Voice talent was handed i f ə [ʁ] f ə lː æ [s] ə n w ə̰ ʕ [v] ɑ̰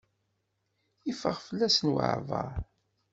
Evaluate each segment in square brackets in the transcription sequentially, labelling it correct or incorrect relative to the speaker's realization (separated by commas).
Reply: correct, correct, correct